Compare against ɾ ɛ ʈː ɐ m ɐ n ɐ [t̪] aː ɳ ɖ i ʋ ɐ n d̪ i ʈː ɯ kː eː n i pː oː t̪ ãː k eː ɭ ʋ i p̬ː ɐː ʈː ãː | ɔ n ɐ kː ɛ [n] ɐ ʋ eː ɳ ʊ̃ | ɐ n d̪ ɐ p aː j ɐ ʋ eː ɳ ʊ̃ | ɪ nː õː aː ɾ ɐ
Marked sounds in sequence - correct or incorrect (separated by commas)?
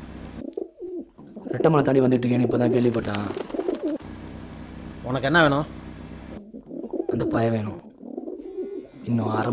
correct, incorrect